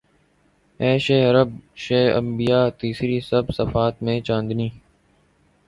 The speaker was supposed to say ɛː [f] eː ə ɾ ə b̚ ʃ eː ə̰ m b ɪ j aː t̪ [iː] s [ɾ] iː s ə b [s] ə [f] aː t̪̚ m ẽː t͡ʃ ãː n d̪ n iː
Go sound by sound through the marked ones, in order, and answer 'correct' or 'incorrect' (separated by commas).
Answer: incorrect, correct, correct, correct, correct